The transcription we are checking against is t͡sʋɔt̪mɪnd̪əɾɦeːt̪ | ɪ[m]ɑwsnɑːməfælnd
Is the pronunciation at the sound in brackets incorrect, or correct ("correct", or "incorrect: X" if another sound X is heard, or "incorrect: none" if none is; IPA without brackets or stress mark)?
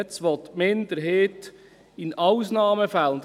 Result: incorrect: n